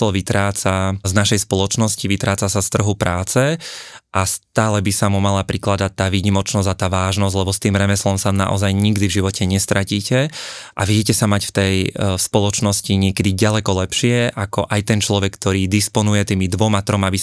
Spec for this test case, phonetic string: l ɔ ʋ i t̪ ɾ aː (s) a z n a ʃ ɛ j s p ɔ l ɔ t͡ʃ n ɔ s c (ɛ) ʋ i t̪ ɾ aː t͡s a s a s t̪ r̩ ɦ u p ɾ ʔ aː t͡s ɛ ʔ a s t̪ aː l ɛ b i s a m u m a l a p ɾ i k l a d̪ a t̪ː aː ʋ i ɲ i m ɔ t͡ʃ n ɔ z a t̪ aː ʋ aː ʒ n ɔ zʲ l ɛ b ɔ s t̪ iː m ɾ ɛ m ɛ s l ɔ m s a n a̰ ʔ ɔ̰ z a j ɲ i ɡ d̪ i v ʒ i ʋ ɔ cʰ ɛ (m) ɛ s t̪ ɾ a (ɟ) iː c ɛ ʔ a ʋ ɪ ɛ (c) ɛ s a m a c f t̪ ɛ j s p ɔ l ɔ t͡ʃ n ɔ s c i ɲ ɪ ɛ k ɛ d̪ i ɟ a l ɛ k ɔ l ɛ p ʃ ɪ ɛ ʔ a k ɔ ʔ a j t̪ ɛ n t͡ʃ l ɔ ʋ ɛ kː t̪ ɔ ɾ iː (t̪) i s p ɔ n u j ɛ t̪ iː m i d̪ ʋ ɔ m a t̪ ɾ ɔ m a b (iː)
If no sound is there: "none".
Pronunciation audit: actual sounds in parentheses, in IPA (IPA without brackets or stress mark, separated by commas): t͡s, i, ɲ, c, c, d̪, i